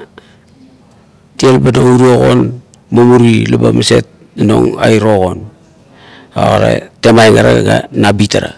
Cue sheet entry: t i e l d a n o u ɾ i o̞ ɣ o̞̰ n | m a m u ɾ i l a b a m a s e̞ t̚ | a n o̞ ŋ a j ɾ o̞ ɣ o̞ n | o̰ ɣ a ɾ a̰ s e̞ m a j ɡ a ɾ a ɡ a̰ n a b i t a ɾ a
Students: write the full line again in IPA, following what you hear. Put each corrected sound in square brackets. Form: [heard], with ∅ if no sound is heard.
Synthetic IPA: t i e l [b] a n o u ɾ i o̞ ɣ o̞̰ n | m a m u ɾ i l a b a m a s e̞ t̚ | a n o̞ ŋ a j ɾ o̞ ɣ o̞ n | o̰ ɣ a ɾ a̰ [t] e̞ m a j [ŋ] a ɾ a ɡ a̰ n a b i t a ɾ a